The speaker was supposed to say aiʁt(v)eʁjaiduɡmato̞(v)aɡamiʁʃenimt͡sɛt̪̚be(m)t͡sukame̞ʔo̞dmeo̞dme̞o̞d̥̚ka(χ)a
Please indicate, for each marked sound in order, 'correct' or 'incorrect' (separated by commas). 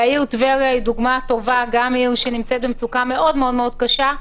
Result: correct, correct, correct, incorrect